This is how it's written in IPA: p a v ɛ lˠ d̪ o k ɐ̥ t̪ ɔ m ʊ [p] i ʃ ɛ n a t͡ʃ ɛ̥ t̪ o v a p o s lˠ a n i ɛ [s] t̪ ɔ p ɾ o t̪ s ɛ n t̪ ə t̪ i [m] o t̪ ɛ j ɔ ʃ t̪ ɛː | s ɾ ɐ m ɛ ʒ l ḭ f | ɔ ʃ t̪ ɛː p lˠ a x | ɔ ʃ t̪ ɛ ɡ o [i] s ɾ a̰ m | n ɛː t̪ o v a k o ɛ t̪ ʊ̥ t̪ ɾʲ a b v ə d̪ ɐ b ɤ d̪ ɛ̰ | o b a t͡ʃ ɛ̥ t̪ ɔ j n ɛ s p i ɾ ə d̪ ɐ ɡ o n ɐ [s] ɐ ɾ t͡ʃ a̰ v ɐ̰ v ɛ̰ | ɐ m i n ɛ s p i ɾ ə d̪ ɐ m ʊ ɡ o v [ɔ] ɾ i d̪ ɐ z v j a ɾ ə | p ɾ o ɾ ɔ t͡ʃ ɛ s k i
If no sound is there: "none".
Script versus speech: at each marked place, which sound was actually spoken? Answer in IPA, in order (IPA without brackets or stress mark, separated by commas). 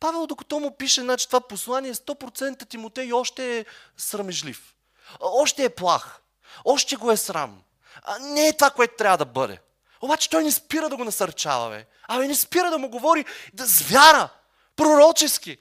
p, s, m, ɛ, s, ɔ